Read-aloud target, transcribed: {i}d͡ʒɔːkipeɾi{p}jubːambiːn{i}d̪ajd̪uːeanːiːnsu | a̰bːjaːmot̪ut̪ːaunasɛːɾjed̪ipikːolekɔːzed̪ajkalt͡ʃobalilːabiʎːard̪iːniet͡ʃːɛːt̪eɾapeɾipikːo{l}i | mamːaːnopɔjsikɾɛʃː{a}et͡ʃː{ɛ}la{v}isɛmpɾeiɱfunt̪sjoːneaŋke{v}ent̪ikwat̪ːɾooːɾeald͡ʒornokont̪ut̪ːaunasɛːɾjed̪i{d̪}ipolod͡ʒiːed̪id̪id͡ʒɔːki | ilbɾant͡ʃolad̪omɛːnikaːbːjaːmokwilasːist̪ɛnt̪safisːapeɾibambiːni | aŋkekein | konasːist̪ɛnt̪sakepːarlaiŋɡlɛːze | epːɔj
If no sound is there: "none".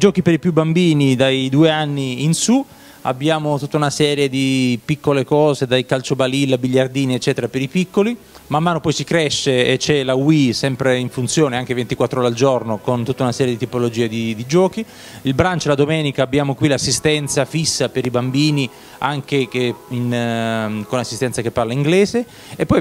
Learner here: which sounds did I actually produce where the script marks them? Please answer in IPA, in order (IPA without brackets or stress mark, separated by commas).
i, p, i, l, e, ɛ, w, v, t̪